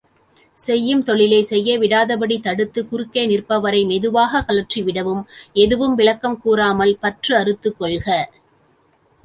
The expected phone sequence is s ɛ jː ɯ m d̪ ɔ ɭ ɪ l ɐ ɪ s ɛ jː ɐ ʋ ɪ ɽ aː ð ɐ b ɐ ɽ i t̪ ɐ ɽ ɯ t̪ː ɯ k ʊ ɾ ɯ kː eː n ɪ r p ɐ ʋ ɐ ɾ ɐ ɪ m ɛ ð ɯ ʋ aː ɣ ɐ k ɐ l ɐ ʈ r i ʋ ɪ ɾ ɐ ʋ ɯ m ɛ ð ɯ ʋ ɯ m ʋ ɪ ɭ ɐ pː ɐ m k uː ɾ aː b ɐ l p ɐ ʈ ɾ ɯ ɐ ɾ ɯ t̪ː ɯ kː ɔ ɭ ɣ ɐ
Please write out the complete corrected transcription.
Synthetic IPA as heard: s ɛ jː ɯ m t̪ ɔ ɭ ɪ l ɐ ɪ s ɛ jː ɐ ʋ ɪ ɽ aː ð ɐ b ɐ ɽ i t̪ ɐ ɽ ɯ t̪ː ɯ k ʊ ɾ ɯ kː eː n ɪ r p ɐ ʋ ɐ ɾ ɐ ɪ m ɛ ð ɯ ʋ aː ɣ ɐ k ɐ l ɐ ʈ r i ʋ ɪ ɽ ɐ ʋ ɯ m ɛ ð ɯ ʋ ɯ m ʋ ɪ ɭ ɐ kː ɐ m k uː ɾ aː m ɐ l p ɐ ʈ r ɯ ɐ ɾ ɯ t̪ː ɯ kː ɔ ɭ ɣ ɐ